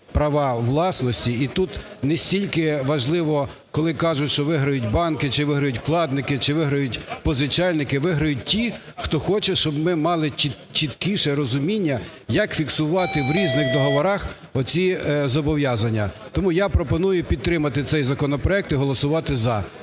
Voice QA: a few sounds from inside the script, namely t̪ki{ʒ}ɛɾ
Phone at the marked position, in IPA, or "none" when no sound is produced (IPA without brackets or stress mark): ʃ